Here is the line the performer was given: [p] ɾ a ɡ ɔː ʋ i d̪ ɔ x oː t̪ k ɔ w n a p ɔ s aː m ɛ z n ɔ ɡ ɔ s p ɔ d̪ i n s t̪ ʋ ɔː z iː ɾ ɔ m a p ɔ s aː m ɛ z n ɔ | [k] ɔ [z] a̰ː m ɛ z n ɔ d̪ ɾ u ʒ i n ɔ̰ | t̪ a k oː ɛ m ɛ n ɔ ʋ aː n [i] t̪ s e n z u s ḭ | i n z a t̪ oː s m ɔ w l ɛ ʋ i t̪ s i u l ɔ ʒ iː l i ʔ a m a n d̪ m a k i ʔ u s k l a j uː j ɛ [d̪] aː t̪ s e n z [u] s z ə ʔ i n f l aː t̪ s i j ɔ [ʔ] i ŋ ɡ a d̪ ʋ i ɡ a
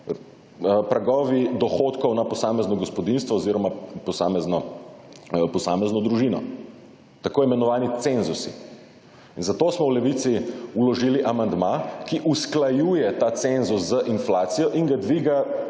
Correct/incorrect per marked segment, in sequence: correct, incorrect: p, incorrect: s, correct, incorrect: t̪, correct, correct

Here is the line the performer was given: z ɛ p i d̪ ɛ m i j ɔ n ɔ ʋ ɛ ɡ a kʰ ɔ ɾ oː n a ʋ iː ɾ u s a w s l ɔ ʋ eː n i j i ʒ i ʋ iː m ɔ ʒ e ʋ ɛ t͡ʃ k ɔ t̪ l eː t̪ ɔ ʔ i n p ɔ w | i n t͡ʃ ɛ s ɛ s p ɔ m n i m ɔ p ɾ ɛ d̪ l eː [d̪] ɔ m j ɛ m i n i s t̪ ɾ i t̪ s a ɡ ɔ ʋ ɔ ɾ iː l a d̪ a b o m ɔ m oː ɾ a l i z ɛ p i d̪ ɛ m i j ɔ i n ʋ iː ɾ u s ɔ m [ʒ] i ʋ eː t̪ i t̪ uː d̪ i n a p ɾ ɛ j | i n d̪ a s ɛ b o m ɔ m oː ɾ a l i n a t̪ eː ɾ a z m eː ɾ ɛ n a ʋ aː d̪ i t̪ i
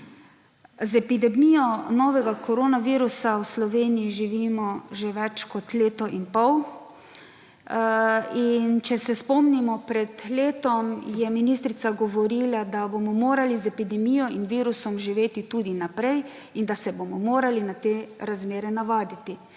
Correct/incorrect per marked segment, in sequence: incorrect: t̪, correct

